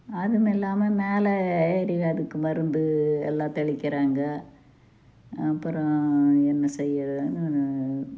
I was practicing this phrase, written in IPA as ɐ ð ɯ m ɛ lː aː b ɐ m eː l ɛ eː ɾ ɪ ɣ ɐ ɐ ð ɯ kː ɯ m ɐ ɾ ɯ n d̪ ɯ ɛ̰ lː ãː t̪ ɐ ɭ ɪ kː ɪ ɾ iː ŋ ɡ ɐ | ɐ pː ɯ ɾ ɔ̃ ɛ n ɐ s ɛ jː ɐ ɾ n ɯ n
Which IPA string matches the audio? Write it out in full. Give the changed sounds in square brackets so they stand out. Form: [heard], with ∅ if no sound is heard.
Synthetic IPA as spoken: ɐ ð ɯ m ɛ lː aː [m] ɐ m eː l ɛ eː ɾ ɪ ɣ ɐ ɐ ð ɯ kː ɯ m ɐ ɾ ɯ n d̪ ɯ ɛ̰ lː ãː t̪ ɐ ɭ ɪ kː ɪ ɾ [aː] ŋ ɡ ɐ | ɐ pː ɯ ɾ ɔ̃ ɛ [nː] ɐ s ɛ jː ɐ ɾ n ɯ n

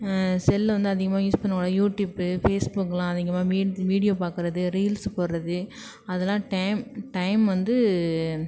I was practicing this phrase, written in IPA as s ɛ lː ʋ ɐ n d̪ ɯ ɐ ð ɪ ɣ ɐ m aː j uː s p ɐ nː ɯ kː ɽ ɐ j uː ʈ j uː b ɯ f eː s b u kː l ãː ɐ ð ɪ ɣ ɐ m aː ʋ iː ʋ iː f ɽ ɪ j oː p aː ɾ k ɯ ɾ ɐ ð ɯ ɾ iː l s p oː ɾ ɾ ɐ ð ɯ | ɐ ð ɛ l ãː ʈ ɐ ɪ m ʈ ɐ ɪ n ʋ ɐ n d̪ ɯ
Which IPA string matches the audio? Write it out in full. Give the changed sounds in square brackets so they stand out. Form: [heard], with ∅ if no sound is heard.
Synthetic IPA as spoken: s ɛ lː ʋ ɐ n d̪ ɯ ɐ ð ɪ ɣ ɐ m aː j uː s p ɐ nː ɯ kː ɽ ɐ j uː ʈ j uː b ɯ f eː s b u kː l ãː ɐ ð ɪ ɣ ɐ m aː ʋ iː ʋ iː [∅] ɽ ɪ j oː p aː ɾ k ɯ ɾ ɐ ð ɯ ɾ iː l s p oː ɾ ɾ ɐ ð ɯ | ɐ ð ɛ l ãː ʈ ɐ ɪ m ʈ ɐ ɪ [m] ʋ ɐ n d̪ ɯ

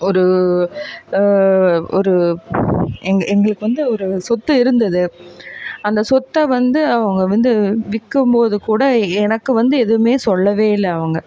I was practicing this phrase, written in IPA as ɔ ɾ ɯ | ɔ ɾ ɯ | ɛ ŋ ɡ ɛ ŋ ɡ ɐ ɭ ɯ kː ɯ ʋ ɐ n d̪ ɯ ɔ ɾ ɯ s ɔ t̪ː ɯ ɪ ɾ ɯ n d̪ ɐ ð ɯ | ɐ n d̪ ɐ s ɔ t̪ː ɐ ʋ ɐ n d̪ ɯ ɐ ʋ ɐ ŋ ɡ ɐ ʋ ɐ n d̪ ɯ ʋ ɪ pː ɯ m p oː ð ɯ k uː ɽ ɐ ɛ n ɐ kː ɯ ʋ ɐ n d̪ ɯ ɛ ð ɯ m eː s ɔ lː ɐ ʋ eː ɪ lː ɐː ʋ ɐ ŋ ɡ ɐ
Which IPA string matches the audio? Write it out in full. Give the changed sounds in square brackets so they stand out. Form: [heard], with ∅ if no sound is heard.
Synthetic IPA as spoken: ɔ ɾ ɯ | ɔ ɾ ɯ | ɛ ŋ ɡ ɛ ŋ ɡ ɐ ɭ ɯ kː ɯ ʋ ɐ n d̪ ɯ ɔ ɾ ɯ s ɔ t̪ː ɯ ɪ ɾ ɯ n d̪ ɐ ð ɯ | ɐ n d̪ ɐ s ɔ t̪ː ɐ ʋ ɐ n d̪ ɯ ɐ ʋ ɐ ŋ ɡ ɐ ʋ ɐ n d̪ ɯ ʋ ɪ [kː] ɯ m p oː ð ɯ k uː ɽ ɐ ɛ n ɐ kː ɯ ʋ ɐ n d̪ ɯ ɛ ð ɯ m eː s ɔ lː ɐ ʋ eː ɪ lː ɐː ʋ ɐ ŋ ɡ ɐ

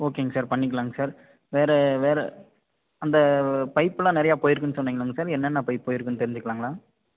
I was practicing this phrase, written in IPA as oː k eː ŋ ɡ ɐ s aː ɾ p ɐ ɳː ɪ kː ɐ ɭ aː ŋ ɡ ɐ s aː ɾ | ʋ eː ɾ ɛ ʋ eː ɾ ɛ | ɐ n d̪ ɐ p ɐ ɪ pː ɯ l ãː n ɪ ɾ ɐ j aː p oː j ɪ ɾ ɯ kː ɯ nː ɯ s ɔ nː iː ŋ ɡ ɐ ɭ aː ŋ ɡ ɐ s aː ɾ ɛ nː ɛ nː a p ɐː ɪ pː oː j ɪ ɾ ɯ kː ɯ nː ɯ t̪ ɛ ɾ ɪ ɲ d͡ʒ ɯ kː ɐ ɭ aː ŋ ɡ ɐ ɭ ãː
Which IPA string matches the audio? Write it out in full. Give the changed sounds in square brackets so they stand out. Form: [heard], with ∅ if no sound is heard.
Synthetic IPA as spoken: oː k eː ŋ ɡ ɐ s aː ɾ p ɐ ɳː ɪ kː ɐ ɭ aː ŋ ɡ ɐ s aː ɾ | ʋ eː ɾ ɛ ʋ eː ɾ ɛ | ɐ n d̪ ɐ p ɐ ɪ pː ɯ l ãː n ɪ ɾ ɐ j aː p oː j ɪ ɾ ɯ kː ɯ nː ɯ s ɔ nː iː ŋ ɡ ɐ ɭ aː ŋ ɡ ɐ s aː ɾ ɛ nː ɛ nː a p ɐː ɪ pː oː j ɪ ɾ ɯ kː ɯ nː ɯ t̪ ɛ ɾ ɪ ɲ d͡ʒ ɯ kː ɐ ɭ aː ŋ ɡ ɐ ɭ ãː

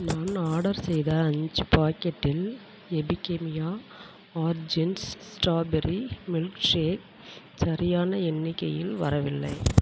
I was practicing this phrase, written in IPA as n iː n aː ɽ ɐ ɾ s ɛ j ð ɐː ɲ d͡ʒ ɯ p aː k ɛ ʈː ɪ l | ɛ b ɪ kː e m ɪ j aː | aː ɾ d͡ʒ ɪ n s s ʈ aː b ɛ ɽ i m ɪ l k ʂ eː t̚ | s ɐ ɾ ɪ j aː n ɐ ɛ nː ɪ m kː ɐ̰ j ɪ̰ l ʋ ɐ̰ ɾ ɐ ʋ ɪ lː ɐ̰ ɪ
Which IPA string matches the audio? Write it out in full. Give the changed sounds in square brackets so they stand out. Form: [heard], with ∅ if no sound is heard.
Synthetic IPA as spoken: n [aː] n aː ɽ ɐ ɾ s ɛ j ð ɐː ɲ d͡ʒ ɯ p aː k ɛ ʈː ɪ l | ɛ b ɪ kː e m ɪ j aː | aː ɾ d͡ʒ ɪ n s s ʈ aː b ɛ [ɾ] i m ɪ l k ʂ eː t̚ | s ɐ ɾ ɪ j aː n ɐ ɛ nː ɪ [∅] kː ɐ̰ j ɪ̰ l ʋ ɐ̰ ɾ ɐ ʋ ɪ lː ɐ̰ ɪ

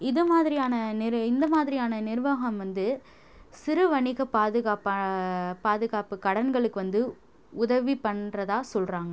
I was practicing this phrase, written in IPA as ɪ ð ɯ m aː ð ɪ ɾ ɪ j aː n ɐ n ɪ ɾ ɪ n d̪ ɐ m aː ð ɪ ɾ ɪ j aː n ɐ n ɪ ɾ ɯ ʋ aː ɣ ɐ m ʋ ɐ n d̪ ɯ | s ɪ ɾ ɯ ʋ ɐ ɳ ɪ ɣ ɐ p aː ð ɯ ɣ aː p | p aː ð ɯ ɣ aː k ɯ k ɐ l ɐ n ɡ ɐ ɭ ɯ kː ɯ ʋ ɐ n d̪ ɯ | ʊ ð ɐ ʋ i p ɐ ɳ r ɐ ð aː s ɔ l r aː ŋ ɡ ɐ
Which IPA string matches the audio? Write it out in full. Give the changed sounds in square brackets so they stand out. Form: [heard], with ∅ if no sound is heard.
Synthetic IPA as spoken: ɪ ð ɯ m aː ð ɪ ɾ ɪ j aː n ɐ n ɪ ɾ ɪ n d̪ ɐ m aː ð ɪ ɾ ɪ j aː n ɐ n ɪ ɾ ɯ ʋ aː ɣ ɐ m ʋ ɐ n d̪ ɯ | s ɪ ɾ ɯ ʋ ɐ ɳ ɪ ɣ ɐ p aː ð ɯ ɣ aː p | p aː ð ɯ ɣ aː [p] ɯ k ɐ [ɽ] ɐ n ɡ ɐ ɭ ɯ kː ɯ ʋ ɐ n d̪ ɯ | ʊ ð ɐ ʋ i p ɐ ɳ r ɐ ð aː s ɔ l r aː ŋ ɡ ɐ

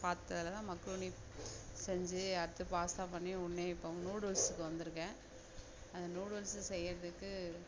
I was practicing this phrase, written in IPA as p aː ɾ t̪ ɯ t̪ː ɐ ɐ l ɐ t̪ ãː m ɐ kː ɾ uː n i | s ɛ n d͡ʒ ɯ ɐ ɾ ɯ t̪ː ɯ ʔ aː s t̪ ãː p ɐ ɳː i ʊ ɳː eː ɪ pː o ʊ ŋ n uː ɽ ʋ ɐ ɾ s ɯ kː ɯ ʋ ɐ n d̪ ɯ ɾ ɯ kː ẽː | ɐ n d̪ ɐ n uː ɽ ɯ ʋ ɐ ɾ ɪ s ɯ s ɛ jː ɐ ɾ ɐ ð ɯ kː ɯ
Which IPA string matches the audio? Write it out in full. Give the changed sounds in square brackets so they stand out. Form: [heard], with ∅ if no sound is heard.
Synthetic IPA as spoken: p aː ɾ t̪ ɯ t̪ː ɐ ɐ l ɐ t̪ ãː m ɐ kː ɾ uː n i | s ɛ [ɲ] d͡ʒ ɯ ɐ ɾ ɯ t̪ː ɯ [p] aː s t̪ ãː p ɐ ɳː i ʊ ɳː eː ɪ pː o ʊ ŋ n uː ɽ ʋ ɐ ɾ s ɯ kː ɯ ʋ ɐ n d̪ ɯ ɾ ɯ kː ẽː | ɐ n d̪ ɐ n uː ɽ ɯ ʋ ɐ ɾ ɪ s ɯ s ɛ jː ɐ ɾ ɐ ð ɯ kː ɯ

